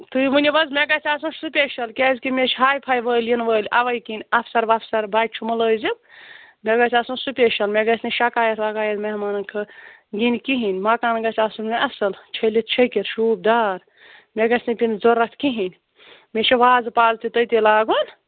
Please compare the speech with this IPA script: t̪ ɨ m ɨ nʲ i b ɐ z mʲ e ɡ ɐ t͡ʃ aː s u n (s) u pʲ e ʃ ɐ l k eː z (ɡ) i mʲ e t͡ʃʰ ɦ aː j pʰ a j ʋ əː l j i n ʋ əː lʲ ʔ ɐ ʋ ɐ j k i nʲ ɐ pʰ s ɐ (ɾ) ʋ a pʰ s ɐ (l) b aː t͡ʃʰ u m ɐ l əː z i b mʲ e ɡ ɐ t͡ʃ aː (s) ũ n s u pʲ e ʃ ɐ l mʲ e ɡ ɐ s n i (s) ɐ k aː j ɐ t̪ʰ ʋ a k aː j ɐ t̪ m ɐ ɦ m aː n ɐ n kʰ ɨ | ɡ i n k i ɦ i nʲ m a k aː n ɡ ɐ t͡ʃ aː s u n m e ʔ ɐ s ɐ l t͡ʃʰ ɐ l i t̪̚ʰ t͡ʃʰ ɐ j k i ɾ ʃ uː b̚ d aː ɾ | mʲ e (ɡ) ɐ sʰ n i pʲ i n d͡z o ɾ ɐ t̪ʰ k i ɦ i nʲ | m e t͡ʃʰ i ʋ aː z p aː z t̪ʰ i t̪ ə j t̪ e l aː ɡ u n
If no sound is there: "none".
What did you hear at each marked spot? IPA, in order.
s, k, ɾ, ɾ, s, ʃ, ɡ

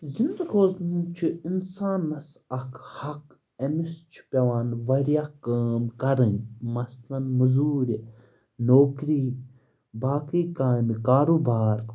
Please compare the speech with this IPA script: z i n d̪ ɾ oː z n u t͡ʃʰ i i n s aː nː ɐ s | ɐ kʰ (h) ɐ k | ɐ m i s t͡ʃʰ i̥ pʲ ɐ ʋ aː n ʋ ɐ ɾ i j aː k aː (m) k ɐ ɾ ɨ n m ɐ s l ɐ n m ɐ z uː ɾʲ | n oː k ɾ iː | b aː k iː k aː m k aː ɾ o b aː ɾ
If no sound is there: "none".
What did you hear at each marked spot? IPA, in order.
h, m

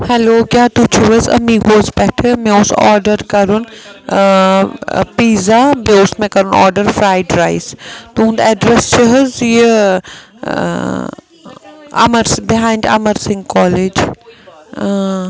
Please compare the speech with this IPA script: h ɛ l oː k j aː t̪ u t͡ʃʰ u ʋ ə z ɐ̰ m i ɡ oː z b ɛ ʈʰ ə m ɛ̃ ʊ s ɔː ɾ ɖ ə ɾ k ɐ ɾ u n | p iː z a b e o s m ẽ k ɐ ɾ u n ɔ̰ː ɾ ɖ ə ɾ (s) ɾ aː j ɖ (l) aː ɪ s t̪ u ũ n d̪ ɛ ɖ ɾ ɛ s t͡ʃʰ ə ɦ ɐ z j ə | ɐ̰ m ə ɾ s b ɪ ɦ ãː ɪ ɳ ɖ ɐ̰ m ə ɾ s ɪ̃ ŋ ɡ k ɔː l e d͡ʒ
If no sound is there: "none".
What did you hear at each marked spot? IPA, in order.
f, ɾ

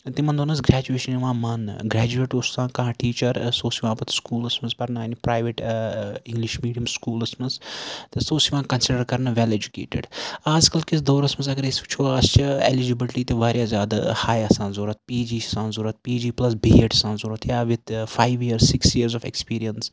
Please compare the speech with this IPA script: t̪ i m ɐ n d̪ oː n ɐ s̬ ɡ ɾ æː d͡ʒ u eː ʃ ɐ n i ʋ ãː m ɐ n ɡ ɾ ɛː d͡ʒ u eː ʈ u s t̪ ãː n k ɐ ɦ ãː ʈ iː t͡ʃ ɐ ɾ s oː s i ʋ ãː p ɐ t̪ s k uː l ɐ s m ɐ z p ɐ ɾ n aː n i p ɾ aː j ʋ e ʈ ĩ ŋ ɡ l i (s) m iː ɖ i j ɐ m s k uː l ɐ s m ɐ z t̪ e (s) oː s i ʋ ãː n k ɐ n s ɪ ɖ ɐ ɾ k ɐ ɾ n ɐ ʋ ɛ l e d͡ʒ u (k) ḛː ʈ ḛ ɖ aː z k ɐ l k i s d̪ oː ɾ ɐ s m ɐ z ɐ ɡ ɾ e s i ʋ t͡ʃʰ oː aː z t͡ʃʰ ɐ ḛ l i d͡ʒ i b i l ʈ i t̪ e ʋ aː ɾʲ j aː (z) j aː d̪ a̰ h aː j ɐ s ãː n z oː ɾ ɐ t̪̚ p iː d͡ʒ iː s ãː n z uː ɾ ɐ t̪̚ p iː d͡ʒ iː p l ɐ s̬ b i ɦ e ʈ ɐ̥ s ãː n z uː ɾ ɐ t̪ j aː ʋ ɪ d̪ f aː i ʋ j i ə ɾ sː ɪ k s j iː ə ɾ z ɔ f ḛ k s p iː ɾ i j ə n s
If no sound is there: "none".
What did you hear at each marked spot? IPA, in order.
ʃ, s, k, z

